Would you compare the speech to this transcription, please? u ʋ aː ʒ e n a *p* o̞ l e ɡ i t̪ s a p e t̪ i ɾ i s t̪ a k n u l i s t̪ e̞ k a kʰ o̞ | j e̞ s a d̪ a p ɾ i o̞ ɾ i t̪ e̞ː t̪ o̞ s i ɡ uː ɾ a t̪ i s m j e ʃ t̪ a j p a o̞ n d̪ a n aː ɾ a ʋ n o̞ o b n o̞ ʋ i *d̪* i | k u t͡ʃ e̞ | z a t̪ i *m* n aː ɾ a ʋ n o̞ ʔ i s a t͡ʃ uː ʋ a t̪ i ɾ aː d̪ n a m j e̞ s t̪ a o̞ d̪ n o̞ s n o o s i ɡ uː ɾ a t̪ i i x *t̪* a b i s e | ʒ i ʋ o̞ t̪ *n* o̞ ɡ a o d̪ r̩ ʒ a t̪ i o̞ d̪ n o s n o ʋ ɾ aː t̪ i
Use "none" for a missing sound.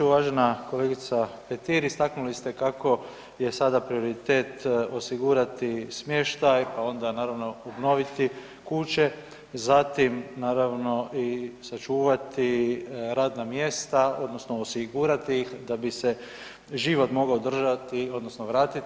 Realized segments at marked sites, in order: k, t̪, m, d̪, m

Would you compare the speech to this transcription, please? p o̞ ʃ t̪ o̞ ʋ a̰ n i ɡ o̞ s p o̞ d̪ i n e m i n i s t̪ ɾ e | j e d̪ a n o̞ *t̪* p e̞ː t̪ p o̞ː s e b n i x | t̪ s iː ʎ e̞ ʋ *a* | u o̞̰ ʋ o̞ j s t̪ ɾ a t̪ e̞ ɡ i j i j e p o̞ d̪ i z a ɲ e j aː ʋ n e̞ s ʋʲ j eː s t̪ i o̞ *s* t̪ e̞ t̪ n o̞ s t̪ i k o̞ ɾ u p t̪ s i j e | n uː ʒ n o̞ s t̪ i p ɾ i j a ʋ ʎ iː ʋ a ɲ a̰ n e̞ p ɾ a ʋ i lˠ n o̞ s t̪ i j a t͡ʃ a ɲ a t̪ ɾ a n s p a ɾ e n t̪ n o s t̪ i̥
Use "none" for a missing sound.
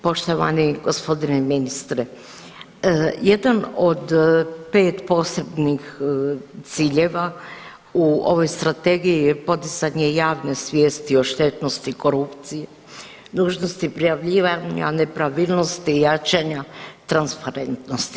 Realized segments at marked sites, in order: d̪, a, ʃ

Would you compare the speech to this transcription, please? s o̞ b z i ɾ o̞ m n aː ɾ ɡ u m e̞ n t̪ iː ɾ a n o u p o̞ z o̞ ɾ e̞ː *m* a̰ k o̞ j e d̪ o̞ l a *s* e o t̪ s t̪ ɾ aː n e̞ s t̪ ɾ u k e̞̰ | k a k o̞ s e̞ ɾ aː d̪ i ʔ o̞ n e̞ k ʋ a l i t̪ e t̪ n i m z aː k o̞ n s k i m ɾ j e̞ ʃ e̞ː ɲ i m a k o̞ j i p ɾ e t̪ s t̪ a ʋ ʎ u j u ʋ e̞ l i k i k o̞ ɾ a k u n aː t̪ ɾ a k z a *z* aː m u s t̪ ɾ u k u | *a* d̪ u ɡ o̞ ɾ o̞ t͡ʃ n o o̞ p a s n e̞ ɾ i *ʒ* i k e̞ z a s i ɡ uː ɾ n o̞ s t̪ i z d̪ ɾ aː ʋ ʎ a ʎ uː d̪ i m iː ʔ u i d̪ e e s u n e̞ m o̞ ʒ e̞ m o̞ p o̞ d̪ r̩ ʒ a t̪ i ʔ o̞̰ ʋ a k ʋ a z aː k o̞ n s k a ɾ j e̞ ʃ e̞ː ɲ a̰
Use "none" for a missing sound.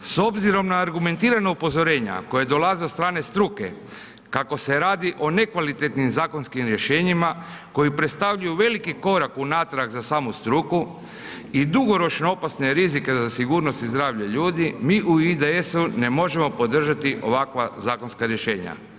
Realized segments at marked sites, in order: ɲ, z, s, i, z

